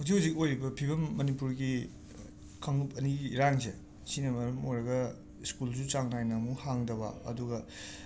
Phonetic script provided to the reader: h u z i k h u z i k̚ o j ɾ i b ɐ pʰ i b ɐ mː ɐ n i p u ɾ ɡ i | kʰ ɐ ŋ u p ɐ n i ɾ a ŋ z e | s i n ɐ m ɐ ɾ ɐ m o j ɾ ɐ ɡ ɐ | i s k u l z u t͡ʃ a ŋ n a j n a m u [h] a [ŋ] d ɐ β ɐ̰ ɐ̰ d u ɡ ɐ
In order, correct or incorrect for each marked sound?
correct, correct

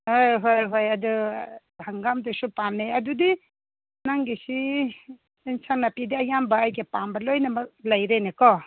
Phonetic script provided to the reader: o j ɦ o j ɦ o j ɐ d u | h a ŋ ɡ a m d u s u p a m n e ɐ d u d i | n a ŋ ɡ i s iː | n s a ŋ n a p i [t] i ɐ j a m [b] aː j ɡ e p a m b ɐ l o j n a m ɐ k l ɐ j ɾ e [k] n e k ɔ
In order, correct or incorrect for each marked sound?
incorrect: d, correct, incorrect: none

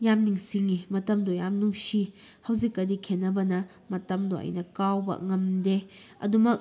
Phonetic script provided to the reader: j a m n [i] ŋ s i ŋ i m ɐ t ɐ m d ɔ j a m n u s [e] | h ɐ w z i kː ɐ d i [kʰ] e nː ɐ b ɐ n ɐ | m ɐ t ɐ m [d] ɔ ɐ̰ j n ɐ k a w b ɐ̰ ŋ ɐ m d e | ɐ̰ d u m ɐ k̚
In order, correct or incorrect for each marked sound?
correct, incorrect: i, correct, correct

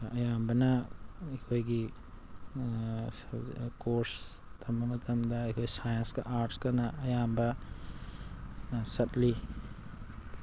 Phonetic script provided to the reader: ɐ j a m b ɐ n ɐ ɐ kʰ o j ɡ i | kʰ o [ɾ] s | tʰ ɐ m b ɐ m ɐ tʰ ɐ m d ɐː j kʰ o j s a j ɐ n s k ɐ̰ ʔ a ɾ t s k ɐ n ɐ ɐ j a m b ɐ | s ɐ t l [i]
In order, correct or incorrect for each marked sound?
correct, correct

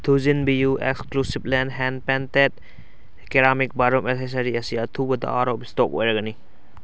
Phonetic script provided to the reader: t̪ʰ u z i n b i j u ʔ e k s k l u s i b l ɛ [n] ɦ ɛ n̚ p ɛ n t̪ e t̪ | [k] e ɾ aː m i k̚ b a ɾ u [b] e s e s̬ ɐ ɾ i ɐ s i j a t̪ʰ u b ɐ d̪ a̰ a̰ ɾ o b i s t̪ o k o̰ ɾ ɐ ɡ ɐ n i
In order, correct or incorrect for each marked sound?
correct, correct, incorrect: m

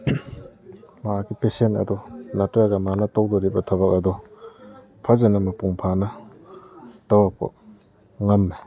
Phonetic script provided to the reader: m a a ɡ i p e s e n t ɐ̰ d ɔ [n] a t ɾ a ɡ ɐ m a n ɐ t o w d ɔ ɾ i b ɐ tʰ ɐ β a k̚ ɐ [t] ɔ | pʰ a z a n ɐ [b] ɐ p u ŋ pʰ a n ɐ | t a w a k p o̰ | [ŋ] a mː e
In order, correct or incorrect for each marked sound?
correct, incorrect: d, incorrect: m, correct

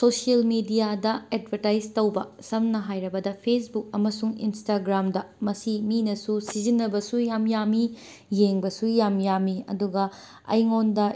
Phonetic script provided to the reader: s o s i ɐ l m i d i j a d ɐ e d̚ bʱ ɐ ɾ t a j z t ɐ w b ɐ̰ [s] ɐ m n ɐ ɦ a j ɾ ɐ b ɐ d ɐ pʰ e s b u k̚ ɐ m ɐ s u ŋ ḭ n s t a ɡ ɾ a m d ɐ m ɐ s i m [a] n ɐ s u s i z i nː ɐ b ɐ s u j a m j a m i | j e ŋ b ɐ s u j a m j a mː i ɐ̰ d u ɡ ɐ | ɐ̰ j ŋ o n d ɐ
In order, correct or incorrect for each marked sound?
correct, incorrect: i

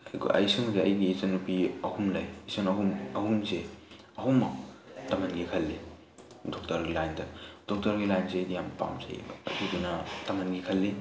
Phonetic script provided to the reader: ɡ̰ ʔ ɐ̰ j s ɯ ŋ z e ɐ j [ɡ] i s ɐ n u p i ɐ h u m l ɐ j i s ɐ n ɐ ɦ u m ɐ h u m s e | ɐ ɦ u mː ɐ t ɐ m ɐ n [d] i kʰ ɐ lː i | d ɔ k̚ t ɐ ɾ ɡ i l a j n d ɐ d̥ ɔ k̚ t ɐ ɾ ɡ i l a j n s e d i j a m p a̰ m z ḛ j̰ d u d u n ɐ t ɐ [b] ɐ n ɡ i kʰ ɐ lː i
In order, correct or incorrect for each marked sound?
correct, incorrect: ɡ, incorrect: m

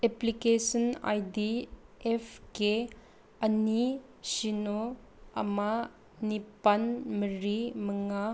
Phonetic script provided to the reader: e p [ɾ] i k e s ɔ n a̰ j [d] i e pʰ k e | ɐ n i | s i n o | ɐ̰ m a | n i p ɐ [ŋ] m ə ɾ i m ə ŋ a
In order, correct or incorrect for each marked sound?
incorrect: l, correct, incorrect: n

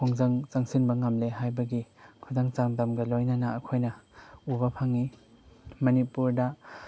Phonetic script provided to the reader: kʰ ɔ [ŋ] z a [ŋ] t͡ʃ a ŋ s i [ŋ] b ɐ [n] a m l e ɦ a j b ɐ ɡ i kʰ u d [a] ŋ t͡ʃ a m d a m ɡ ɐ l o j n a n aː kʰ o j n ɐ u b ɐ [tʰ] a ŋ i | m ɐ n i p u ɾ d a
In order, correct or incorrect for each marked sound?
correct, correct, incorrect: n, incorrect: ŋ, correct, incorrect: pʰ

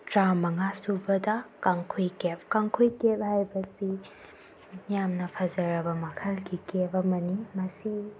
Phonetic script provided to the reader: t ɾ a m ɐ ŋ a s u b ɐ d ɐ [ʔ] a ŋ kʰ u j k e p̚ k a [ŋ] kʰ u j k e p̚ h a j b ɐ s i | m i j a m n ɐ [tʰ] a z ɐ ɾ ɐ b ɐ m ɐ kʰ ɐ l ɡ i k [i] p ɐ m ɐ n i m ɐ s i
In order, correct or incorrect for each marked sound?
incorrect: k, correct, incorrect: pʰ, incorrect: e

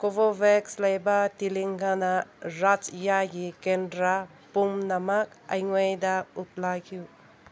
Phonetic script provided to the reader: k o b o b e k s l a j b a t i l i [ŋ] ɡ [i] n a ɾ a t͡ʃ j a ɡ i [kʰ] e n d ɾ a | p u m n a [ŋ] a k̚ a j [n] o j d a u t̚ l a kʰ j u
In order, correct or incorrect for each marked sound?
correct, incorrect: a, incorrect: k, incorrect: m, incorrect: ŋ

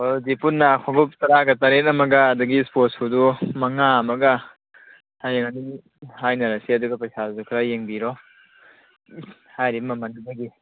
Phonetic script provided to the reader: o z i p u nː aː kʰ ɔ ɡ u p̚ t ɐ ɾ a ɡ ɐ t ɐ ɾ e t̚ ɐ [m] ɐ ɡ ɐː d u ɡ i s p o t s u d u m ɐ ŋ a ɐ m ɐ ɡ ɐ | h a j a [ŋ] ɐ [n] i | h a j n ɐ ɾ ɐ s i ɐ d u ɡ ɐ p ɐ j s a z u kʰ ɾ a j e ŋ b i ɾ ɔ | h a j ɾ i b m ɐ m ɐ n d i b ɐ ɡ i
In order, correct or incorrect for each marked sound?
correct, correct, correct

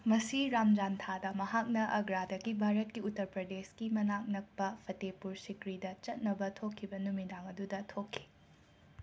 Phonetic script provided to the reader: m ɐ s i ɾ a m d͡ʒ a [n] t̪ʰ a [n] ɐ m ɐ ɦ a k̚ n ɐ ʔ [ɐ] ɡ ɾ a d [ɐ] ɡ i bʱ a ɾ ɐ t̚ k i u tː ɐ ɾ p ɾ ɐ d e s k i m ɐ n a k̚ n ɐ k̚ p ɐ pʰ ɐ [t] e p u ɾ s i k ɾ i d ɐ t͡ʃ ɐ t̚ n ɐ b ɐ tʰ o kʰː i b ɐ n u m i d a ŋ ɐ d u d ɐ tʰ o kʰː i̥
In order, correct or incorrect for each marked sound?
correct, incorrect: d, correct, correct, correct

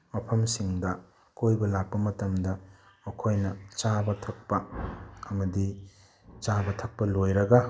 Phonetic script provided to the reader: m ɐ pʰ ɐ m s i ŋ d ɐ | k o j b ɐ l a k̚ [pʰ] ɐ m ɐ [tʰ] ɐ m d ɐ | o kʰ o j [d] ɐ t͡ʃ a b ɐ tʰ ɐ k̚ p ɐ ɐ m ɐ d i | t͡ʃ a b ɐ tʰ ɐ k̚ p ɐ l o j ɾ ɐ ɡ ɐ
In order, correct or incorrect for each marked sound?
incorrect: p, incorrect: t, incorrect: n

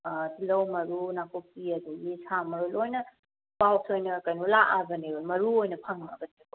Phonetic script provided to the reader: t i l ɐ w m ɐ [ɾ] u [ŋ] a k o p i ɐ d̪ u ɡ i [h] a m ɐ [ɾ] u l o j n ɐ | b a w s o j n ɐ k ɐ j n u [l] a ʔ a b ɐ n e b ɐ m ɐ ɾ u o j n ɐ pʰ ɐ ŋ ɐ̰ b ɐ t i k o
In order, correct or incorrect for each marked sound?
correct, incorrect: n, incorrect: s, correct, correct

